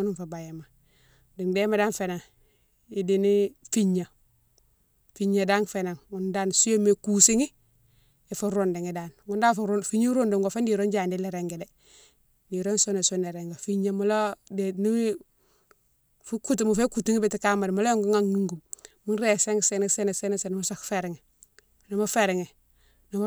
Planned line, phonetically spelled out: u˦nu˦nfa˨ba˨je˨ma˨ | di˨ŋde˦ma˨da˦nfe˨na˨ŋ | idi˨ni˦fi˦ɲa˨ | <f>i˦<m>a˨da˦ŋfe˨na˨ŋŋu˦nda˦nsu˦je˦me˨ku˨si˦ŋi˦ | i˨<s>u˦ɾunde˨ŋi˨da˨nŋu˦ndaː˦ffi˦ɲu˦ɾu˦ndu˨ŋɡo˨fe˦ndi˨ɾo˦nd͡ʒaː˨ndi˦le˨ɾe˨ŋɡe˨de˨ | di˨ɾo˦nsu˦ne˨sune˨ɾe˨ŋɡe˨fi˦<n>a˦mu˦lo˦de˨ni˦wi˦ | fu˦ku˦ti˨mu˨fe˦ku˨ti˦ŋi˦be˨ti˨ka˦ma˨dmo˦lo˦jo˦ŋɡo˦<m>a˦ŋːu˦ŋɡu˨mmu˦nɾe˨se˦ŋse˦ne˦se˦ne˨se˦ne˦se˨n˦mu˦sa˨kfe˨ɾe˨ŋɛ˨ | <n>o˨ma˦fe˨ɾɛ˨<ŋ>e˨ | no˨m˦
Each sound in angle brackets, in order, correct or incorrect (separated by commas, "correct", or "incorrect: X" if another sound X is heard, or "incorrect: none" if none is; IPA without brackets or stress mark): correct, incorrect: ɲ, incorrect: f, incorrect: ɲ, incorrect: ŋ, correct, correct